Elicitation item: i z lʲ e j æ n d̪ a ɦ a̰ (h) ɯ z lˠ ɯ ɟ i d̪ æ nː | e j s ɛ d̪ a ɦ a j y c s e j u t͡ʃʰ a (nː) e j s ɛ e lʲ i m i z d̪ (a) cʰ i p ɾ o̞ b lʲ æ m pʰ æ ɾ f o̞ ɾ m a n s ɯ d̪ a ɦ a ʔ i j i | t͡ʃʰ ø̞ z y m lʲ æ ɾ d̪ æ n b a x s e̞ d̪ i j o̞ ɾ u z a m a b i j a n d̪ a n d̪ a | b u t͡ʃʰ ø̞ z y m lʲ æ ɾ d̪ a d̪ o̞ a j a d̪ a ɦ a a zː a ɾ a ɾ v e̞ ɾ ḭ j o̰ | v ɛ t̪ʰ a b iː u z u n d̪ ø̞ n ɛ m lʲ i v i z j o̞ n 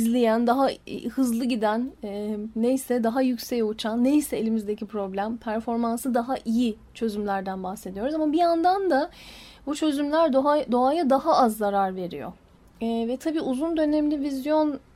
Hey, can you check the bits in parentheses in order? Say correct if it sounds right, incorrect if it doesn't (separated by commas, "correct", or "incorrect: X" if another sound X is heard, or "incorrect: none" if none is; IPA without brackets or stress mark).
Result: correct, correct, incorrect: e